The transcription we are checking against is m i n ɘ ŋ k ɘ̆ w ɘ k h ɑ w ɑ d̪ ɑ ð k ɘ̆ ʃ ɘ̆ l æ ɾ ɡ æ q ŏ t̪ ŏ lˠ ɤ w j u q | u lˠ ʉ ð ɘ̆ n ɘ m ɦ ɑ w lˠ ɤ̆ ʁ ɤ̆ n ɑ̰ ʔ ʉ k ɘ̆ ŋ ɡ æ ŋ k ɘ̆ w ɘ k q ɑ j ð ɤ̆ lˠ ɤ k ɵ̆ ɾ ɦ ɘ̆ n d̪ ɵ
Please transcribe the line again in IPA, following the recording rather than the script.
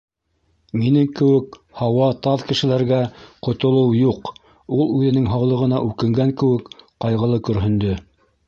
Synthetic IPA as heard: m i n ɘ ŋ k ɘ̆ w ɘ k h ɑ w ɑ t̪ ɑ ð k ɘ̆ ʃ ɘ̆ l æ ɾ ɡ æ q ŏ t̪ ŏ lˠ ɤ w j u q | u lˠ ʉ ð ɘ̆ n ɘ ŋ ɦ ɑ w lˠ ɤ̆ ʁ ɤ̆ n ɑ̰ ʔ ʉ k ɘ̆ ŋ ɡ æ ŋ k ɘ̆ w ɘ k q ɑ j ʁ ɤ̆ lˠ ɤ k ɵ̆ ɾ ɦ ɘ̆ n d̪ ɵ

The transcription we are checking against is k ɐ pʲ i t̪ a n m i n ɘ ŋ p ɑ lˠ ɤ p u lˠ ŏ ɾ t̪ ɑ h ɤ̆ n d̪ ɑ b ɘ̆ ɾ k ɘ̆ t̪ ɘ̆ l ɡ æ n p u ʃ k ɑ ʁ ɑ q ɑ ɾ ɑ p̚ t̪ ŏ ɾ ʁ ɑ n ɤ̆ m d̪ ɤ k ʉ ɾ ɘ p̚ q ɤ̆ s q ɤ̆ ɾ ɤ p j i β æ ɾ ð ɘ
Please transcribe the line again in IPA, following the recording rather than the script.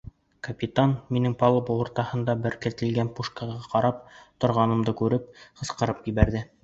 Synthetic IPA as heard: k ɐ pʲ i t̪ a n m i n ɘ ŋ p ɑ lˠ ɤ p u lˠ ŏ ɾ t̪ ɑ h ɤ̆ n d̪ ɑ b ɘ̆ ɾ k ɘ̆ t̪ ɘ̆ l ɡ æ n p u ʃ k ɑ ʁ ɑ q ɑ ɾ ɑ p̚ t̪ ŏ ɾ ʁ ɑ n ɤ̆ m d̪ ɤ k ʉ ɾ ɘ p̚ q ɤ̆ s q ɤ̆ ɾ ɤ p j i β æ ɾ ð ɘ

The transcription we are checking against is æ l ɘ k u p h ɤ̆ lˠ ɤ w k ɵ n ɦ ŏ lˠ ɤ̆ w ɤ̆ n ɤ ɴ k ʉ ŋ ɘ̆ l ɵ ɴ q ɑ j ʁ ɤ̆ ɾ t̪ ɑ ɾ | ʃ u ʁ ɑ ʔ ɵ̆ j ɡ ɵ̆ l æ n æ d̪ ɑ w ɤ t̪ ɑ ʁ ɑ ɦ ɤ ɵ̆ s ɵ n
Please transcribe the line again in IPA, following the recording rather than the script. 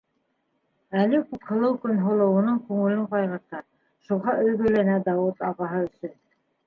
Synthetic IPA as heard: æ l ɘ k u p h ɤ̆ lˠ ɤ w k ɵ n ɦ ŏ lˠ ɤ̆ w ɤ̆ n ɤ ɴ k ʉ ŋ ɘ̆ l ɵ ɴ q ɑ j ʁ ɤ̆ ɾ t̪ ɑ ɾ | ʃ u ʁ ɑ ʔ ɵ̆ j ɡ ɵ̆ l æ n æ d̪ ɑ w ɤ t̪ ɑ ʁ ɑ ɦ ɤ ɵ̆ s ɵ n

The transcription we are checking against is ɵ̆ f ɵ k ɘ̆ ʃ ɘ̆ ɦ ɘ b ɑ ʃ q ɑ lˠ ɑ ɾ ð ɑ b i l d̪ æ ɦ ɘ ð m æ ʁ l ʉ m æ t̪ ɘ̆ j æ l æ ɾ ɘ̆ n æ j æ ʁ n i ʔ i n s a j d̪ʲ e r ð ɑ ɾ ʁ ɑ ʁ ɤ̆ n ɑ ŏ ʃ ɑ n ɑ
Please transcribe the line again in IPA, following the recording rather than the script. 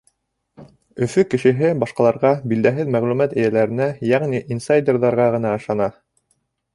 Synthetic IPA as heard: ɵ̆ f ɵ k ɘ̆ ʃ ɘ̆ ɦ ɘ b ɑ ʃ q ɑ lˠ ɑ ɾ ʁ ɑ b i l d̪ æ ɦ ɘ ð m æ ʁ l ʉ m æ t̪ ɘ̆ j æ l æ ɾ ɘ̆ n æ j æ ʁ n i ʔ i n s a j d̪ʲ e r ð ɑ ɾ ʁ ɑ ʁ ɤ̆ n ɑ ɤ̆ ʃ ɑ n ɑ

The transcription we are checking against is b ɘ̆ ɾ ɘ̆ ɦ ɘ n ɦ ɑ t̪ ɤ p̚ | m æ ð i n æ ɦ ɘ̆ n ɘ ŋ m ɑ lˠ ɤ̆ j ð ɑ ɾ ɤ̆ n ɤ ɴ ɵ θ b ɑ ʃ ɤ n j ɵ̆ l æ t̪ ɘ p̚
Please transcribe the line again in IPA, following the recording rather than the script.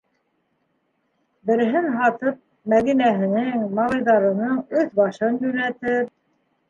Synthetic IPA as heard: b ɘ̆ ɾ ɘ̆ ɦ ɘ n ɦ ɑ t̪ ɤ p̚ | m æ ð i n æ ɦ ɘ̆ n ɘ ŋ m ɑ lˠ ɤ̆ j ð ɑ ɾ ɤ̆ n ɤ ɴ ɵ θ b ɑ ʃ ɤ n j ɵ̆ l æ t̪ ɘ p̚

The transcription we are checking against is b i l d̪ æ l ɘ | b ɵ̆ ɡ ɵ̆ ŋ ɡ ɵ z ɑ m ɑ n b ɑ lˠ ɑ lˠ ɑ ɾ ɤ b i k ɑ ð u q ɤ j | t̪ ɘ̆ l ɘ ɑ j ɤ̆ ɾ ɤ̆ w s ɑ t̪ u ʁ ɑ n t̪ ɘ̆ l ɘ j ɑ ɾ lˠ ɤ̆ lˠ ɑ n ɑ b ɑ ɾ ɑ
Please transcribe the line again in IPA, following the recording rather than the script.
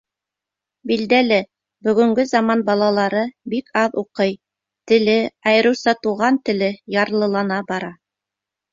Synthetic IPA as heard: b i l d̪ æ l ɘ | b ɵ̆ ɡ ɵ̆ ŋ ɡ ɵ z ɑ m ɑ n b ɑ lˠ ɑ lˠ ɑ ɾ ɤ b i k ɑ ð u q ɤ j | t̪ ɘ̆ l ɘ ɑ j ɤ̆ ɾ ɤ̆ w s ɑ t̪ u ʁ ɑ n t̪ ɘ̆ l ɘ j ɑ ɾ lˠ ɤ̆ lˠ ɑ n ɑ b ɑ ɾ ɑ

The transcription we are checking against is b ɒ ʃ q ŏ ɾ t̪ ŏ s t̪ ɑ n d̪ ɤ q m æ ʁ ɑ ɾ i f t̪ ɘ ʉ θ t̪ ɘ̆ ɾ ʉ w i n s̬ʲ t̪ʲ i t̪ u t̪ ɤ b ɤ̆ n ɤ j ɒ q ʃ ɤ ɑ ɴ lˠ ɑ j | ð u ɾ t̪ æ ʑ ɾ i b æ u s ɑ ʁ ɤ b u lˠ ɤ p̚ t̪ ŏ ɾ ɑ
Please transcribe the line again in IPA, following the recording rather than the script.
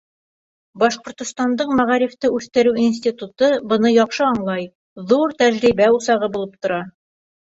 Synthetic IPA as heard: b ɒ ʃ q ŏ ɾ t̪ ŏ s t̪ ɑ n d̪ ɤ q m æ ʁ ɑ ɾ i f t̪ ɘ ʉ θ t̪ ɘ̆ ɾ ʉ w i n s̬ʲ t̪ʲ i t̪ u t̪ ɤ b ɤ̆ n ɤ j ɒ q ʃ ɤ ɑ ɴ lˠ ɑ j | ð u ɾ t̪ æ ʑ ɾ i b æ u s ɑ ʁ ɤ b u lˠ ɤ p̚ t̪ ŏ ɾ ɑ

